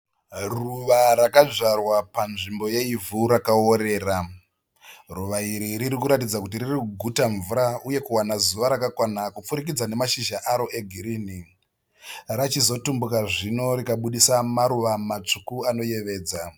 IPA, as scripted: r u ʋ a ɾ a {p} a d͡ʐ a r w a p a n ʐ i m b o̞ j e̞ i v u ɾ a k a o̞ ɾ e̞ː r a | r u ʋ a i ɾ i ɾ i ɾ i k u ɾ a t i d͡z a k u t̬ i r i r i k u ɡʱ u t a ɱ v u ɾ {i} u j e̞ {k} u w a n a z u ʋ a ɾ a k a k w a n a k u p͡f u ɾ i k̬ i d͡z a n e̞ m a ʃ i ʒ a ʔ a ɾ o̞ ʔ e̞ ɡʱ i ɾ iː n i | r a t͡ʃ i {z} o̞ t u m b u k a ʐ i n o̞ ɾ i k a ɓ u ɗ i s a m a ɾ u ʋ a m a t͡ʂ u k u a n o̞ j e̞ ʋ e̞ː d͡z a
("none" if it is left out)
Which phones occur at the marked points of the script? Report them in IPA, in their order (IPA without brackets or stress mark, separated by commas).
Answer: k, a, k, z